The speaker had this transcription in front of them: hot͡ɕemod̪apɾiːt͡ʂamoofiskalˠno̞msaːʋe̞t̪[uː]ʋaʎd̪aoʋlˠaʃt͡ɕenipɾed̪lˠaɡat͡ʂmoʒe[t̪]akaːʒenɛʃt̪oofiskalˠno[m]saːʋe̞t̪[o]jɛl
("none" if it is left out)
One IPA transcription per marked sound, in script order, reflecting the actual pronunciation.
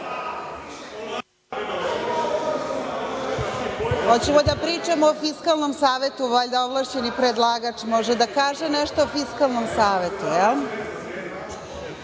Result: u, d̪, m, u

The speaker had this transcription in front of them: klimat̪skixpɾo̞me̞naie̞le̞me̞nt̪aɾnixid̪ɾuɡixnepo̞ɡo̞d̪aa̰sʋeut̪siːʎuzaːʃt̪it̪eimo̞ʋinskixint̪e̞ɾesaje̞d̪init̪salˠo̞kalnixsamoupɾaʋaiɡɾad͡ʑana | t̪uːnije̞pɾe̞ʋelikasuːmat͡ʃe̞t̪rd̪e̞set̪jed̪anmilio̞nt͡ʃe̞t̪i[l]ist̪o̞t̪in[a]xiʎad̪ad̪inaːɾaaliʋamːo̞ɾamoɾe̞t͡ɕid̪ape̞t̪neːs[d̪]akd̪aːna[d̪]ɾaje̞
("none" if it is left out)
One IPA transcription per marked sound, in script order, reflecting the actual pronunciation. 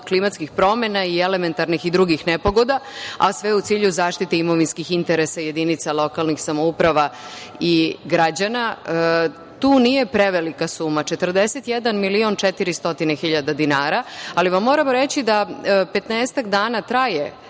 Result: ɾ, e, t̪, t̪

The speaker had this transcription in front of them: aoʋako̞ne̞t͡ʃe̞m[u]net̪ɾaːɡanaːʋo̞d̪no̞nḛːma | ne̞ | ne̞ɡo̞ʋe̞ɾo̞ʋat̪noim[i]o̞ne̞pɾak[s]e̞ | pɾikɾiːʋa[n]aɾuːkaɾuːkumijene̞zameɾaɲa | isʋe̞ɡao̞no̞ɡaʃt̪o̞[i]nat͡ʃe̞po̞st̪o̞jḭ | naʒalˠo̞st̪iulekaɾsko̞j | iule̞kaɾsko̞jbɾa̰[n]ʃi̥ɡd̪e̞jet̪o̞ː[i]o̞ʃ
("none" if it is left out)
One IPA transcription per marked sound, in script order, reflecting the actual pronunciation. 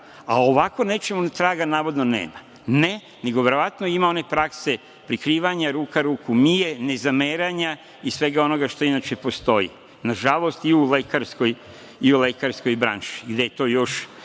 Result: u, a, s, ɲ, i, n, j

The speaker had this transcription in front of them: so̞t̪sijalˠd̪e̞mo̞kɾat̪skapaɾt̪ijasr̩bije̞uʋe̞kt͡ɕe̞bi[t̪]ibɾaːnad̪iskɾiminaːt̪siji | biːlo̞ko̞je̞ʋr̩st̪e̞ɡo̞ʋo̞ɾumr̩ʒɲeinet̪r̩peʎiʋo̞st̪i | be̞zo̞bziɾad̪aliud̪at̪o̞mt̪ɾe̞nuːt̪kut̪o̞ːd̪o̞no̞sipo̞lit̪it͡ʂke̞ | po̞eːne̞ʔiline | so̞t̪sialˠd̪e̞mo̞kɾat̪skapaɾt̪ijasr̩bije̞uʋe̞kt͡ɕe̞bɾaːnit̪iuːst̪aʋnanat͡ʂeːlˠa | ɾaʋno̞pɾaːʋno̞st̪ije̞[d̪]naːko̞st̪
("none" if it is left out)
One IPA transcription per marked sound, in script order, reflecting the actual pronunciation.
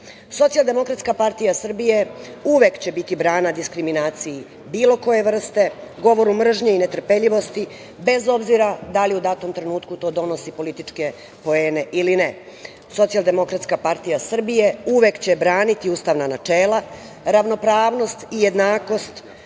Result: t̪, d̪

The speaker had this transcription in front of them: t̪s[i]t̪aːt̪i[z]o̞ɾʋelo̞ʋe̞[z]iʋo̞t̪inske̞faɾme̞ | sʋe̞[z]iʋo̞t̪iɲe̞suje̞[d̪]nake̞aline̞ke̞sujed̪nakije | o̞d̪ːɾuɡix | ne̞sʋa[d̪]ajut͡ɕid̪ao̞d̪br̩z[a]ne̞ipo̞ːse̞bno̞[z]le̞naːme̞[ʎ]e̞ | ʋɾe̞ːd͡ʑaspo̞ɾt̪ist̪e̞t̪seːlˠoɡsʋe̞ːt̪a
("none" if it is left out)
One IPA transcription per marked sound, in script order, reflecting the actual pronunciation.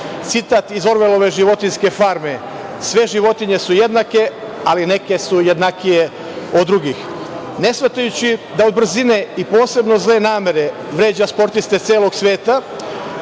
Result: i, z, ʒ, ʒ, d̪, t̪, i, z, ɾ

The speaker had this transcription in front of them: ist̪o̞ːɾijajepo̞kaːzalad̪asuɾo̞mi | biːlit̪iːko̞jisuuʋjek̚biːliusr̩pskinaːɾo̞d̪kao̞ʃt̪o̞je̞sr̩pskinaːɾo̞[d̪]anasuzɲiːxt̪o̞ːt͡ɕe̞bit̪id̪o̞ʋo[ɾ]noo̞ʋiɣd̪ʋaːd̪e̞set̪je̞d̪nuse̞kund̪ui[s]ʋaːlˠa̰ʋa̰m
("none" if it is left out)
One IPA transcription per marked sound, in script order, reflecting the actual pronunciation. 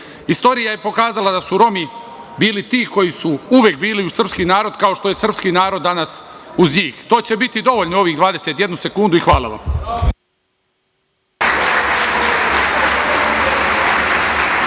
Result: d̪ː, ʎ, x

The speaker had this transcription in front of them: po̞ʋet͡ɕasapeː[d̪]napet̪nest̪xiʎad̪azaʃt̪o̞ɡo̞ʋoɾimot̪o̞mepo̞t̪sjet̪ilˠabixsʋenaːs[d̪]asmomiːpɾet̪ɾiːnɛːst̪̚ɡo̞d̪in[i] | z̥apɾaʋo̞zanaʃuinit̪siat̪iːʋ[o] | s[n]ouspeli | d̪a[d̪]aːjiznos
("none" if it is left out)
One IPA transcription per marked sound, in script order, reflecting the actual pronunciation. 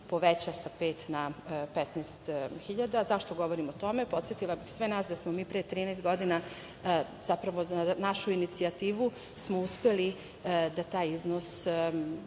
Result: t̪, d̪, a, u, m, t̪

